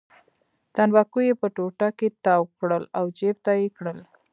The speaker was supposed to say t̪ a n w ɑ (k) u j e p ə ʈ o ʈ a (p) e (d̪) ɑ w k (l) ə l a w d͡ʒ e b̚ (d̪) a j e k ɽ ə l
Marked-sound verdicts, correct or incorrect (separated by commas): correct, incorrect, incorrect, incorrect, incorrect